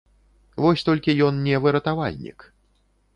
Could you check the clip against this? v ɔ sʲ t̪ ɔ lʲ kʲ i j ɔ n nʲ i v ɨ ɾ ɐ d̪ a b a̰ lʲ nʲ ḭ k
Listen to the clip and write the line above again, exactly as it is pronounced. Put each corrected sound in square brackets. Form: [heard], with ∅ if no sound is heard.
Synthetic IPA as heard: v ɔ sʲ t̪ ɔ lʲ kʲ i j ɔ n nʲ [ɛ] v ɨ ɾ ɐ [t̪] a [v] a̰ lʲ nʲ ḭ k

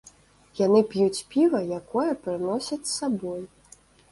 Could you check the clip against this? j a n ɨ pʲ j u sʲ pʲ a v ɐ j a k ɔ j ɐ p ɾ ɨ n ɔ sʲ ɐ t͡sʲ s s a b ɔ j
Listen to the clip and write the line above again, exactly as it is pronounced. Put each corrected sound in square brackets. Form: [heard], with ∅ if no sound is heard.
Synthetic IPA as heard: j a n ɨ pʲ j u [t͡sʲ] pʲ [i] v ɐ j a k ɔ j ɐ p ɾ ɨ n ɔ sʲ ɐ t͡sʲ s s a b ɔ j

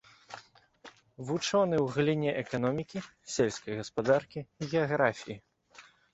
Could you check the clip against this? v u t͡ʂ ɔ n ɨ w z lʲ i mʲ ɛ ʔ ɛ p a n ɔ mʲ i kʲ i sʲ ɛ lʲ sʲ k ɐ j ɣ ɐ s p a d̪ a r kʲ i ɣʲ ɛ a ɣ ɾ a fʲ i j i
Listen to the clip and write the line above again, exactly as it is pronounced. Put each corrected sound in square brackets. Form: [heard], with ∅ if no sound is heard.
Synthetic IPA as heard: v u t͡ʂ ɔ n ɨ w [ɣ] lʲ i [nʲ] ɛ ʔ ɛ [k] a n ɔ mʲ i kʲ i sʲ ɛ lʲ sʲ k ɐ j ɣ ɐ s p a d̪ a r kʲ i ɣʲ ɛ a ɣ ɾ a fʲ i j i

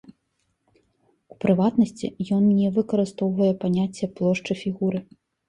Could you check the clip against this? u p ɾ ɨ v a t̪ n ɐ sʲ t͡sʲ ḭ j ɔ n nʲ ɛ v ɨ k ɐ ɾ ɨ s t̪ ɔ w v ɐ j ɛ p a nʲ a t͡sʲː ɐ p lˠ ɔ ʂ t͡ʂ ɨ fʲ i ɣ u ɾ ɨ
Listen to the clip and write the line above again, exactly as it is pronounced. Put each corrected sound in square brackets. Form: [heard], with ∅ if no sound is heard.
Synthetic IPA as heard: u p ɾ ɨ v a t̪ n ɐ sʲ t͡sʲ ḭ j ɔ n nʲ ɛ v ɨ k ɐ ɾ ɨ s t̪ ɔ w v ɐ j ɛ p a nʲ a t͡sʲː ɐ p lˠ ɔ ʂ t͡ʂ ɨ fʲ i ɣ u ɾ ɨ

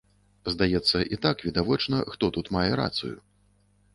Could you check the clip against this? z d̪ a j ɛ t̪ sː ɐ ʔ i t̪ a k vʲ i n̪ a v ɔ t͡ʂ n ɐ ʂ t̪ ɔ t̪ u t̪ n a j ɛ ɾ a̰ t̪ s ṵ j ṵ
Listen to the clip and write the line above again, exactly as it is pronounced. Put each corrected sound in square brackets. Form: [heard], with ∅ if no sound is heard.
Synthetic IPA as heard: z d̪ a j ɛ t̪ sː ɐ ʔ i t̪ a k vʲ i [d̪] a v ɔ t͡ʂ n ɐ [x] t̪ ɔ t̪ u t̪ [m] a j ɛ ɾ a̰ t̪ s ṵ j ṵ

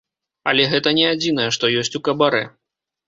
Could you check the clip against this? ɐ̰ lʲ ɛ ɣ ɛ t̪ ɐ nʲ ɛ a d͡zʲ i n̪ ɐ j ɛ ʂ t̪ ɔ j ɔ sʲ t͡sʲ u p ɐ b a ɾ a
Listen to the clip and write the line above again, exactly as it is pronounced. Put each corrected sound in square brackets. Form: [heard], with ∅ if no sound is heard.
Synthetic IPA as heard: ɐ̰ lʲ ɛ ɣ ɛ t̪ ɐ nʲ ɛ a d͡zʲ i n̪ ɐ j ɛ ʂ t̪ ɔ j ɔ sʲ t͡sʲ u [k] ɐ b a ɾ [ɛ]

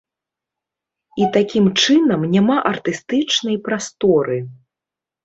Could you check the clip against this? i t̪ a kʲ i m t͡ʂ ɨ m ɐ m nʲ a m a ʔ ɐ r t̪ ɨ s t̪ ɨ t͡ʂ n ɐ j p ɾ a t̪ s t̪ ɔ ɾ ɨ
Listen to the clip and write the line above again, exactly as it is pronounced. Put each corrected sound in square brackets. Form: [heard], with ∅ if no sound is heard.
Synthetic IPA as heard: i t̪ a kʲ i m t͡ʂ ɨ [n] ɐ m nʲ a m a ʔ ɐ r t̪ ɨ s t̪ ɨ t͡ʂ n ɐ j p ɾ a [∅] s t̪ ɔ ɾ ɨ

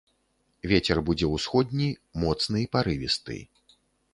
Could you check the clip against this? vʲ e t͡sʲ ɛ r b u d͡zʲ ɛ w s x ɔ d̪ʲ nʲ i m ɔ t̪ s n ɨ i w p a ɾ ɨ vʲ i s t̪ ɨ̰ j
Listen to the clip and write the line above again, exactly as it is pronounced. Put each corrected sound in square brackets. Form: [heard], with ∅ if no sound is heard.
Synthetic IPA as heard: vʲ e t͡sʲ ɛ r b u d͡zʲ ɛ w s x ɔ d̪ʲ nʲ i m ɔ t̪ s n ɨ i [∅] p a ɾ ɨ vʲ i s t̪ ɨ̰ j

